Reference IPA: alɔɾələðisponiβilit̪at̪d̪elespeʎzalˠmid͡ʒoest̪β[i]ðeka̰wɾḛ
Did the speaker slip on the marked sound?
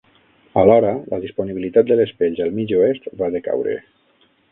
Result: yes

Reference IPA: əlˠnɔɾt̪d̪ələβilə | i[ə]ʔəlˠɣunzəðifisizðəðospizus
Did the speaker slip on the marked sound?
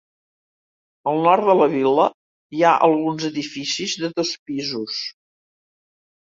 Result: yes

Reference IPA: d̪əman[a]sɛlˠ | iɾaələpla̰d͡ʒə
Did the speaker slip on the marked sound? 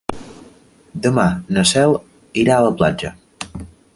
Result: yes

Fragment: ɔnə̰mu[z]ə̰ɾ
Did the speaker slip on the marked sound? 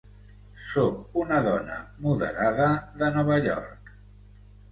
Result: yes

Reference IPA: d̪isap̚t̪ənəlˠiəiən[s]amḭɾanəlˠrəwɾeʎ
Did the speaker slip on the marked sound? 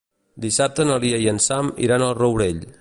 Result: no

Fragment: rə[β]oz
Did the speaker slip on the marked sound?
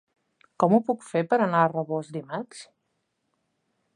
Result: no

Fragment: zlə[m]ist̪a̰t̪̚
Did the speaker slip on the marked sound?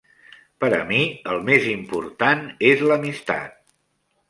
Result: no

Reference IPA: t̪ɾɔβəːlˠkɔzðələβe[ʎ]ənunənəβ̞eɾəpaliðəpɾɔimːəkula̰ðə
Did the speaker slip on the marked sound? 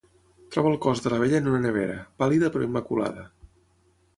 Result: no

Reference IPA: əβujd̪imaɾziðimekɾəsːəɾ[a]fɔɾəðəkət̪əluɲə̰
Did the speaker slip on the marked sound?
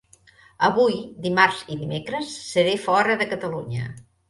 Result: yes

